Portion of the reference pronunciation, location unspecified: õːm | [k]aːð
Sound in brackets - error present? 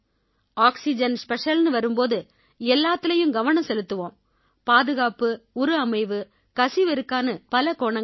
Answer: yes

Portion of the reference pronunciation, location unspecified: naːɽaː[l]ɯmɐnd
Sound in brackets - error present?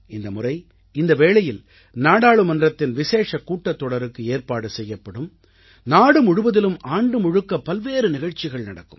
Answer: yes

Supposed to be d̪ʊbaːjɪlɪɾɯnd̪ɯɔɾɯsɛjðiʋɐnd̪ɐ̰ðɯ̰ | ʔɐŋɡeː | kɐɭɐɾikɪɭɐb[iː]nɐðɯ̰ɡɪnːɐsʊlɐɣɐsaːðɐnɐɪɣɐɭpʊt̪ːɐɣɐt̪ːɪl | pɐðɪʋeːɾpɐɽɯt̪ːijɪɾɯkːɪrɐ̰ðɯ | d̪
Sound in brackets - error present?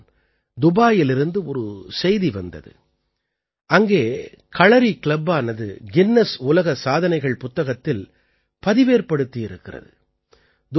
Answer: yes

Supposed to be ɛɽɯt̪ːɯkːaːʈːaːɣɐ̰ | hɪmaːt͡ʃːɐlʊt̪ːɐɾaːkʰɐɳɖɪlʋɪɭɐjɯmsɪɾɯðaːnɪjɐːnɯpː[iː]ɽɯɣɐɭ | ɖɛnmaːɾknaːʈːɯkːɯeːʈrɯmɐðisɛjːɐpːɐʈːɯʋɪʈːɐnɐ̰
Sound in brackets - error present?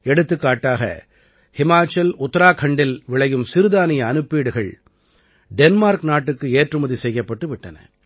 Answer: no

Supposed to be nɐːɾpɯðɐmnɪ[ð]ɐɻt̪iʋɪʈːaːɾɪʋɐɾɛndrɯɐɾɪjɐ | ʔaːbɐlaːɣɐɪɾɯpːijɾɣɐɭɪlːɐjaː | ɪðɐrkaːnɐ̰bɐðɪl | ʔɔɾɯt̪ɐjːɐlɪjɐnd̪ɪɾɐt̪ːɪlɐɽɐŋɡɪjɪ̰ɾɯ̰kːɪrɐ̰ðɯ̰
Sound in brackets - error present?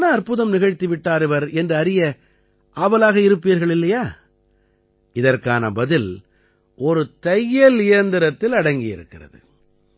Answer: yes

